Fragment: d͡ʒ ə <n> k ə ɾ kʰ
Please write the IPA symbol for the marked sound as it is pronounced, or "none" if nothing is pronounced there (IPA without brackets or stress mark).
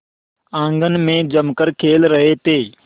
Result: m